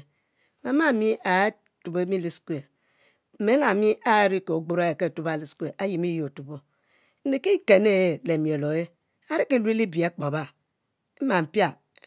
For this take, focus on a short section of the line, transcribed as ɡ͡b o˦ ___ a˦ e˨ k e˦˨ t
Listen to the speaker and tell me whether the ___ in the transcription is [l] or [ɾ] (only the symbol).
ɾ